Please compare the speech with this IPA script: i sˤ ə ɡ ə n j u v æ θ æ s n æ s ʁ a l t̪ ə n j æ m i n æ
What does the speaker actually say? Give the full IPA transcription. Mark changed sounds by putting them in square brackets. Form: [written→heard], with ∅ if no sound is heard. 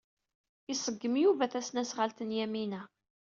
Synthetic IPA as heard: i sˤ ə [ɡ→ɡː] ə [n→m] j u v æ θ æ s n æ s ʁ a l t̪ ə n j æ m i n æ